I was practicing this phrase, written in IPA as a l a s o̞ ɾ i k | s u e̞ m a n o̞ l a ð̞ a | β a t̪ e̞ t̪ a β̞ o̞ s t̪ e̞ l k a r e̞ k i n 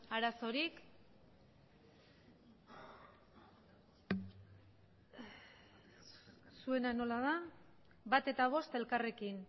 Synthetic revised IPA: a ɾ a s o̞ ɾ i k | s u e̞ n a n o̞ l a ð̞ a | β a t̪ e̞ t̪ a β̞ o̞ s t̪ e̞ l k a r e̞ k i n